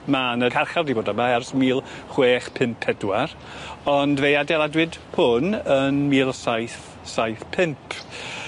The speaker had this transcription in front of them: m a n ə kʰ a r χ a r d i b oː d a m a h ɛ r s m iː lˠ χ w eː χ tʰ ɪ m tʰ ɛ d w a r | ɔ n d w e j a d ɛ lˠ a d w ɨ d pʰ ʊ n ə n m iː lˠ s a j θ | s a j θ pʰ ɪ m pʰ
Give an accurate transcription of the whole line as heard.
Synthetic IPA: m a n ə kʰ a r χ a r d i b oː d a m a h ɛ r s m iː lˠ χ w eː χ pʰ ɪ m pʰ ɛ d w a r | ɔ n d v e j a d ɛ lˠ a d w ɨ d pʰ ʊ n ə n m iː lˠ s a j θ | s a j θ pʰ ɪ m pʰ